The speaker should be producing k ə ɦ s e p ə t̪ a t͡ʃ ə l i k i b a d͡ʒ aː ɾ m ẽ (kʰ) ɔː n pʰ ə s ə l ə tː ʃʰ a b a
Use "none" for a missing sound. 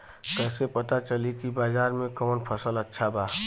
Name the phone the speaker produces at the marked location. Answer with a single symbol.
k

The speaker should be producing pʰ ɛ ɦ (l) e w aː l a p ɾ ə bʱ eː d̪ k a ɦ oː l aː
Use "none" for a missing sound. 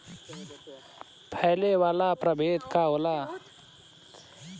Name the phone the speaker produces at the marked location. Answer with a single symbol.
l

